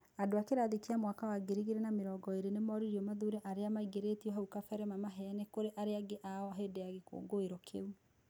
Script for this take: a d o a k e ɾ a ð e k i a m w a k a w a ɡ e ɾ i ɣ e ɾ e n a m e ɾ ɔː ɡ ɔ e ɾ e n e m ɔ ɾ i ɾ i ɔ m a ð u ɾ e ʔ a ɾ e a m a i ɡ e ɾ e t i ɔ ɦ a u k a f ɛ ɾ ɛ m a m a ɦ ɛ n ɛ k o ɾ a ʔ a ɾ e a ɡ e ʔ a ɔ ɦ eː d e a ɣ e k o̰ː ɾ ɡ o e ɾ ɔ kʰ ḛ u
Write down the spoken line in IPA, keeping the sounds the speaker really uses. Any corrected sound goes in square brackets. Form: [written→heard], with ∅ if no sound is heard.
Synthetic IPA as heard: a d o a k e ɾ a ð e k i a m w a k a w a ɡ e ɾ i ɣ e ɾ e n a m e ɾ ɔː ɡ ɔ e ɾ e n e m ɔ ɾ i ɾ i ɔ m a ð u ɾ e ʔ a ɾ e a m a i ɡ e ɾ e t i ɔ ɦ a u k a f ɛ ɾ ɛ m a m a ɦ ɛ n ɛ k o ɾ [a→e] ʔ a ɾ e a ɡ e ʔ a ɔ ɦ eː d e a ɣ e k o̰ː [ɾ→∅] ɡ o e ɾ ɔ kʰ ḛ u